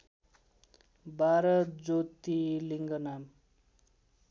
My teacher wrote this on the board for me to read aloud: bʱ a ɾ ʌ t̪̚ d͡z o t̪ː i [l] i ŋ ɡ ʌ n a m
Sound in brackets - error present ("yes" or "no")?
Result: no